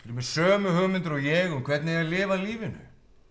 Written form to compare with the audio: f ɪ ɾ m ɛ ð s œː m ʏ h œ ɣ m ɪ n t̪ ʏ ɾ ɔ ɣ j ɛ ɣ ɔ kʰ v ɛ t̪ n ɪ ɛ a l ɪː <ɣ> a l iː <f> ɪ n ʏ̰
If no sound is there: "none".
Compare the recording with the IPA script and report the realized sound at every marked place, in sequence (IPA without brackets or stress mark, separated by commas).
v, v